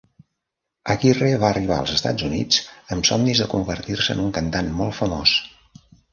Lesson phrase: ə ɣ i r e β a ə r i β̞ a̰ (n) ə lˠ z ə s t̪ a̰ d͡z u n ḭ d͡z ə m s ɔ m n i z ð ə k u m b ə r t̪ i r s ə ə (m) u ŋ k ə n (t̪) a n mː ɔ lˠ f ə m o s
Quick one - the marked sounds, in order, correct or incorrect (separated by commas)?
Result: incorrect, incorrect, correct